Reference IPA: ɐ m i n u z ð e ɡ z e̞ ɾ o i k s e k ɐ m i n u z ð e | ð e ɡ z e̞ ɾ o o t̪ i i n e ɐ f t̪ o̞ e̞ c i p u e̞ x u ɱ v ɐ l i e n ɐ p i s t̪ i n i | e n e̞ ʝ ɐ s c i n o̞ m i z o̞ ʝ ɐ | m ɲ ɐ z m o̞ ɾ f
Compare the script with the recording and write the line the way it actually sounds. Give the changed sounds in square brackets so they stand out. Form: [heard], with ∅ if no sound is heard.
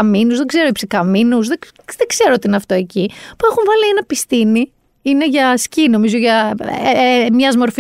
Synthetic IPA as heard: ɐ m i n u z ð e ɡ z e̞ ɾ o i [p] s [i] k ɐ m i n u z ð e | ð e ɡ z e̞ ɾ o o t̪ i i n e ɐ f t̪ o̞ e̞ c i p u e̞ x u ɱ v ɐ l i e n ɐ p i s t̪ i n i | [i] n e̞ ʝ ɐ s c i n o̞ m i z o̞ ʝ ɐ | m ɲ ɐ z m o̞ ɾ f